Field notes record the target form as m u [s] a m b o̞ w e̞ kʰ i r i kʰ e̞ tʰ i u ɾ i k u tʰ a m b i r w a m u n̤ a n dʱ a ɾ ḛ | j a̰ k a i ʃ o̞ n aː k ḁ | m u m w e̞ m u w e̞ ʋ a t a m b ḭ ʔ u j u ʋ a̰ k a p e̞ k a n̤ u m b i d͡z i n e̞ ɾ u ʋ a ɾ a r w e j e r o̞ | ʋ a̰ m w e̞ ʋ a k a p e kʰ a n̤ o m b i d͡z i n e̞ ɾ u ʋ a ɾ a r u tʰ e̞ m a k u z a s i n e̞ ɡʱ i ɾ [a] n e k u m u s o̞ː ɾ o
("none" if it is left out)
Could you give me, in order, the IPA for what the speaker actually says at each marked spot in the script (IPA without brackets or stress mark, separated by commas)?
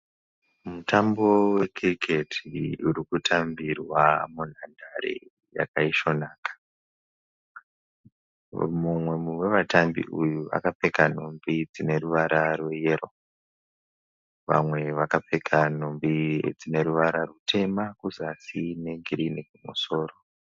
t, i